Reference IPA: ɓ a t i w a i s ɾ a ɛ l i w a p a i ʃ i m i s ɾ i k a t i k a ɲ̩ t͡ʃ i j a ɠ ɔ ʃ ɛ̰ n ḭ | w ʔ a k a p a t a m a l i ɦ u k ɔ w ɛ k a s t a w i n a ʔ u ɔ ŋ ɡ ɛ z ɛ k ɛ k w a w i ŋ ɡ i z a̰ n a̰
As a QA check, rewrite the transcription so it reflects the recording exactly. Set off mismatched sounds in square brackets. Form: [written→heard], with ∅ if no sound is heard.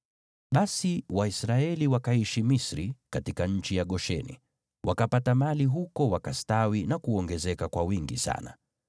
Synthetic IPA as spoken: ɓ a [t→s] i w a i s ɾ a ɛ l i w a [p→k] a i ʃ i m i s ɾ i k a t i k a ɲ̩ t͡ʃ i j a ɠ ɔ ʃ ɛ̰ n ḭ | w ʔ a k a p a t a m a l i ɦ u k ɔ w [ɛ→a] k a s t a w i n a [ʔ→k] u ɔ ŋ ɡ ɛ z ɛ k [ɛ→a] k w a w i ŋ ɡ i [z→s] a̰ n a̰

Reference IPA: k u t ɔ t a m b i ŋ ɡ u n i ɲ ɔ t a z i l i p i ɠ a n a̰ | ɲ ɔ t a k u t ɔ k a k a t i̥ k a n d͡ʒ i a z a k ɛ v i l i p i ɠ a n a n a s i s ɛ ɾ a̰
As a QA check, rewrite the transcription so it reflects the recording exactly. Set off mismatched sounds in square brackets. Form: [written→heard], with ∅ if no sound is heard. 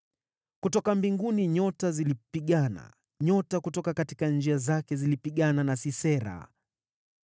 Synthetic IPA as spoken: k u t ɔ [t→k] a m b i ŋ ɡ u n i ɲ ɔ t a z i l i p i ɠ a n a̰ | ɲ ɔ t a k u t ɔ k a k a t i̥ k a n d͡ʒ i a z a k ɛ [v→z] i l i p i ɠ a n a n a s i s ɛ ɾ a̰

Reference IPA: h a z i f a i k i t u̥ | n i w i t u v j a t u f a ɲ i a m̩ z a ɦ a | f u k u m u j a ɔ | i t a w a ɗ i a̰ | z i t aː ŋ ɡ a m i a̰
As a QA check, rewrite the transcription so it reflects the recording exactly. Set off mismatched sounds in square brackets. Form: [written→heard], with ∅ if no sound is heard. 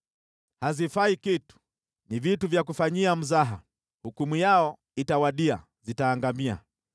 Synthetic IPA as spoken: h a z i f a i k i t u̥ | n i [w→v] i t u v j a [t→k] u f a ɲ i a m̩ z a ɦ a | [f→h] u k u m u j a ɔ | i t a w a ɗ i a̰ | z i t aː ŋ ɡ a m i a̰

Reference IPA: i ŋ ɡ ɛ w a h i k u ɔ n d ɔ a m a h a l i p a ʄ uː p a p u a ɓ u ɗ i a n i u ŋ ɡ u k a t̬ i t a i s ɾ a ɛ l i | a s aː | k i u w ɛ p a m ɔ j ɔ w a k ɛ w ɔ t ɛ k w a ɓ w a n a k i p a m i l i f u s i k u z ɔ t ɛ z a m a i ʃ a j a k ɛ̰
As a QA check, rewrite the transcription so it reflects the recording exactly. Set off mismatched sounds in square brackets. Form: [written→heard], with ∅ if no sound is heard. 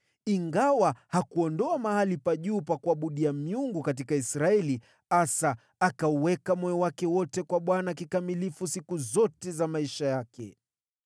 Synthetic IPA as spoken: i ŋ ɡ [ɛ→a] w a h [i→a] k u ɔ n d ɔ a m a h a l i p a ʄ uː p a [p→k] u a ɓ u ɗ i a [n→m] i u ŋ ɡ u k a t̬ i [t→k] a i s ɾ a ɛ l i | a s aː | k [i→a] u w ɛ [p→k] a m ɔ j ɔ w a k ɛ w ɔ t ɛ k w a ɓ w a n a k i [p→k] a m i l i f u s i k u z ɔ t ɛ z a m a i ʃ a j a k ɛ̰

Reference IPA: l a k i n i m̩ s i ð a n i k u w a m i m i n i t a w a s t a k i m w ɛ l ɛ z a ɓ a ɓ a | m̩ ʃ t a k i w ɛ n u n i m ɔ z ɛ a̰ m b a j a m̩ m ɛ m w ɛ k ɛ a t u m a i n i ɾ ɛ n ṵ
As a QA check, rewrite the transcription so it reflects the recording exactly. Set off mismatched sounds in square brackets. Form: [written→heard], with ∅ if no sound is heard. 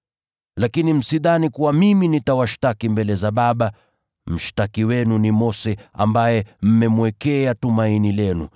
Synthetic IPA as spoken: l a k i n i m̩ s i ð a n i k u w a m i m i n i t a w a [s→ʃ] t a k i m [w→b] ɛ l ɛ z a ɓ a ɓ a | m̩ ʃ t a k i w ɛ n u n i m ɔ [z→s] ɛ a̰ m b a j [a→ɛ] m̩ m ɛ m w ɛ k ɛ a t u m a i n i [ɾ→l] ɛ n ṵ

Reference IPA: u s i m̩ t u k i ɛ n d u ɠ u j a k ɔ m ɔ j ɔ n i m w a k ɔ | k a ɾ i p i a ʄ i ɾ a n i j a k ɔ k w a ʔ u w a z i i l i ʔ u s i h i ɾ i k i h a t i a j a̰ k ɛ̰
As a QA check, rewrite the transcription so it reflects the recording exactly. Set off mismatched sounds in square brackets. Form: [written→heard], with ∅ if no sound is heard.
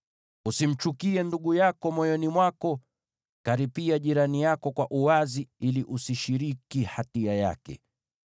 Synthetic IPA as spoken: u s i m̩ [t→t͡ʃ] u k i ɛ n d u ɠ u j a k ɔ m ɔ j ɔ n i m w a k ɔ | k a ɾ i p i a ʄ i ɾ a n i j a k ɔ k w a ʔ u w a z i i l i ʔ u s i [h→ʃ] i ɾ i k i h a t i a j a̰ k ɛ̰

